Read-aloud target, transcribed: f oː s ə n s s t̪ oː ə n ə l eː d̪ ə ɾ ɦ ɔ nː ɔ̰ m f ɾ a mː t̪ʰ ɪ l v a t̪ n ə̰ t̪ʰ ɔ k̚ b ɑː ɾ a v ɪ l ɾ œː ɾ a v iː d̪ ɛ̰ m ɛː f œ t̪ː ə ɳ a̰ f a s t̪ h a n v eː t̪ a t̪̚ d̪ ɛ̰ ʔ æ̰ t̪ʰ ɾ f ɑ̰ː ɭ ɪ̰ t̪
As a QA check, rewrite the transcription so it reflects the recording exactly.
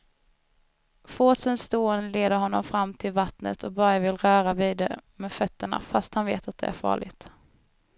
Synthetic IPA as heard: f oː s ə n s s t̪ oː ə n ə l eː d̪ ə ɾ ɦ ɔ nː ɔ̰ m f ɾ a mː t̪ʰ ɪ l v a t̪ n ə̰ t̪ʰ ɔ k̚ b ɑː ɾ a v ɪ l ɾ œː ɾ a v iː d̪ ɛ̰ m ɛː f œ t̪ː ə ɳ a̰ f a s t̪ h a n v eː t̪ a t̪̚ d̪ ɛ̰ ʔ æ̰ ɾ f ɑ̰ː ɭ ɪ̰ t̪